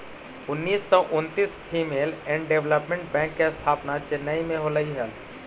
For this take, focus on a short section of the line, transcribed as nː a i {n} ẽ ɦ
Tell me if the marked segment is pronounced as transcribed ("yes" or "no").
no